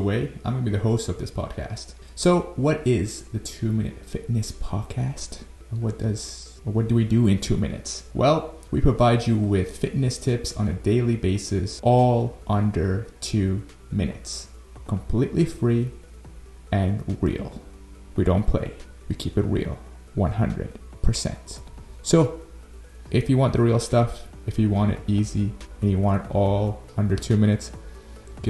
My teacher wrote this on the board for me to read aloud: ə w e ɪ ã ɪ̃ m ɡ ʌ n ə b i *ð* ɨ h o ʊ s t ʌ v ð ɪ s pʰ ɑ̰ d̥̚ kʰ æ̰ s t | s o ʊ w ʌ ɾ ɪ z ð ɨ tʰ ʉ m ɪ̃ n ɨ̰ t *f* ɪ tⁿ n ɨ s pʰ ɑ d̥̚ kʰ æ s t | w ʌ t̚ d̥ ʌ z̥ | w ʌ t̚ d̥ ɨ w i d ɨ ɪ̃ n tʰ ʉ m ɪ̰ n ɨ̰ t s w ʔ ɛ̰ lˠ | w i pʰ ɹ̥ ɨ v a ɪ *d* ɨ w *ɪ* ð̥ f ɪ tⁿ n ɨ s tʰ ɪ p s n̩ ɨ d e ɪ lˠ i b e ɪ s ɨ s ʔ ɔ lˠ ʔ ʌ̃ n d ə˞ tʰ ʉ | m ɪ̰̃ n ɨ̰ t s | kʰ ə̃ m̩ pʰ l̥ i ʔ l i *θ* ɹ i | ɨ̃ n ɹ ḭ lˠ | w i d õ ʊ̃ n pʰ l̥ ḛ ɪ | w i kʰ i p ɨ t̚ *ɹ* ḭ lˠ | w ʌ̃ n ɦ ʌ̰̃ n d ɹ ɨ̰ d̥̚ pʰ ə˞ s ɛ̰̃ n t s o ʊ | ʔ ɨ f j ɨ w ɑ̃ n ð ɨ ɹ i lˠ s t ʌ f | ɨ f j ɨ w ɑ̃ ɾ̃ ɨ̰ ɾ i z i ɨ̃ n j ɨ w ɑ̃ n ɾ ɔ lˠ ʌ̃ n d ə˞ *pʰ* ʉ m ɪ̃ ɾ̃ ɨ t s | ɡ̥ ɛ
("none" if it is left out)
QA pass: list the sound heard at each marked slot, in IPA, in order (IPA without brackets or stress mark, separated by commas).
ð, f, d͡ʒ, ɪ, f, ɹ, tʰ